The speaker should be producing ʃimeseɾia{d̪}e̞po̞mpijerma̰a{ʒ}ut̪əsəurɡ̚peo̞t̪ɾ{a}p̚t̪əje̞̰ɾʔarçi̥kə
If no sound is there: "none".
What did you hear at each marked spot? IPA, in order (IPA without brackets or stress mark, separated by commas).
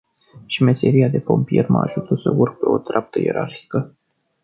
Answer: d̪, ʒ, a